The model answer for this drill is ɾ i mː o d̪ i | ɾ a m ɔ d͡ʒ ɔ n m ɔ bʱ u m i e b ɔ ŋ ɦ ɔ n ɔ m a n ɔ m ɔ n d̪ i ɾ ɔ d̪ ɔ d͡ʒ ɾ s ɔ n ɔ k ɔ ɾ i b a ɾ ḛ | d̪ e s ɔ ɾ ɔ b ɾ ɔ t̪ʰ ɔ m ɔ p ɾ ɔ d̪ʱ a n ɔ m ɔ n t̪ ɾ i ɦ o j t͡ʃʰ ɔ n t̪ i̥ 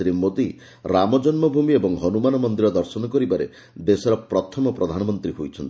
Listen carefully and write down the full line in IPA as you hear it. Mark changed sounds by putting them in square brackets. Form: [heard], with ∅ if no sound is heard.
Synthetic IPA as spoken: ɾ i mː o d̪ i | ɾ a m ɔ d͡ʒ ɔ n m ɔ bʱ u m i e b ɔ ŋ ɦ ɔ n [u] m a n ɔ m ɔ n d̪ i ɾ ɔ d̪ ɔ [∅] ɾ s ɔ n ɔ k ɔ ɾ i b a ɾ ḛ | d̪ e s ɔ ɾ ɔ [p] ɾ ɔ t̪ʰ ɔ m ɔ p ɾ ɔ d̪ʱ a n ɔ m ɔ n t̪ ɾ i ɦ o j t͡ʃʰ ɔ n t̪ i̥